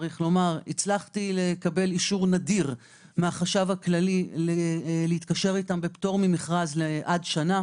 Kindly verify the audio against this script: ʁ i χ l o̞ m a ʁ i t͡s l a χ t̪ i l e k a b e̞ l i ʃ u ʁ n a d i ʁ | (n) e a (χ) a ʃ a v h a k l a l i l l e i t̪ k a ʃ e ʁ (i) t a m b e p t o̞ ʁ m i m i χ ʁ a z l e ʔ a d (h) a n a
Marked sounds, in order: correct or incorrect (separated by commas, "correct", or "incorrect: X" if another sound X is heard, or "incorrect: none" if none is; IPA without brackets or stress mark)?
incorrect: m, correct, correct, incorrect: ʃ